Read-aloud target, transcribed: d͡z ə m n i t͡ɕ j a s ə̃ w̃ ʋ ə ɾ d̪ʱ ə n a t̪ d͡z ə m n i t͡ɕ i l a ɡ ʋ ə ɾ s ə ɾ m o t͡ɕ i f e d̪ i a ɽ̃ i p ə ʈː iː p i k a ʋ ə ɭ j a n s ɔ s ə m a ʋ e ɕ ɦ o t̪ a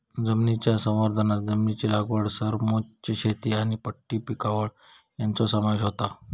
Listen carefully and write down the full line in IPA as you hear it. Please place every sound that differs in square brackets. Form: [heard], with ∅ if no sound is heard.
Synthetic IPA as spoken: d͡z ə m n i t͡ɕ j a s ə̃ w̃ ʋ ə ɾ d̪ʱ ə n a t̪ d͡z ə m n i t͡ɕ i l a ɡ ʋ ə [ɽ] s ə ɾ m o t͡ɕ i [ɕ] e [t̪] i a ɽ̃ i p ə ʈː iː p i k a ʋ ə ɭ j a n [t͡s] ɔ s ə m a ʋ e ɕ ɦ o t̪ a